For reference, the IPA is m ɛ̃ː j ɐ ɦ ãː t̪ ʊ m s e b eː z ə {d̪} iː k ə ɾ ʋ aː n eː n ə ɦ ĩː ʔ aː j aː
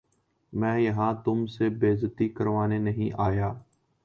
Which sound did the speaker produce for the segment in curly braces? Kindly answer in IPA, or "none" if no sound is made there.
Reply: t̪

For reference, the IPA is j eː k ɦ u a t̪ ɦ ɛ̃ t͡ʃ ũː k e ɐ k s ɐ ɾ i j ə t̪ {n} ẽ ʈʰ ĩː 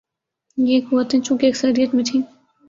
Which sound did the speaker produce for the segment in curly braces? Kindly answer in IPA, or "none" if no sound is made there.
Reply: m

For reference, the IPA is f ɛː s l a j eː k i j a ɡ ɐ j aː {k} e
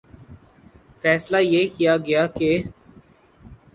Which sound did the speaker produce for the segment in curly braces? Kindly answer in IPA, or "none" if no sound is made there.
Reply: k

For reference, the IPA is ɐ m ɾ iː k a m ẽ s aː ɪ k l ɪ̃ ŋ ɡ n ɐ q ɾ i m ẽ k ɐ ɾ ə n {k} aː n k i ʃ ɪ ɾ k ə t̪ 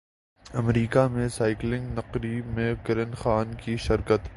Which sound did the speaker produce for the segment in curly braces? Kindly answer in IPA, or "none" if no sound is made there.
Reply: x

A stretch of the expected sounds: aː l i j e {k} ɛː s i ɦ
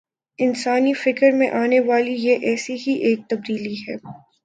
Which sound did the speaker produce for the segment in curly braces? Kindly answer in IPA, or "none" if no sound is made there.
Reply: ʔ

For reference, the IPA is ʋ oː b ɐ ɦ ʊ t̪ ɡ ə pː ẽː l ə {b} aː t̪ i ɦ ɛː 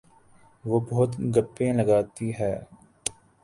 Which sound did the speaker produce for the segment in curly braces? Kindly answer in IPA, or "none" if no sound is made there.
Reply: ɡ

